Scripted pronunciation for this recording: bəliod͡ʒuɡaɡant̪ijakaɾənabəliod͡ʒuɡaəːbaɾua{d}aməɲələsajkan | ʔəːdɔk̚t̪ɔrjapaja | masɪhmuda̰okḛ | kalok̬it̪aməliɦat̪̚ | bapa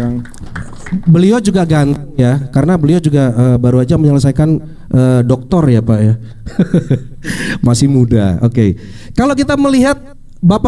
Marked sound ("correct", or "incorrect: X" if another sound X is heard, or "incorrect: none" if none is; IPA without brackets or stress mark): incorrect: d͡ʒ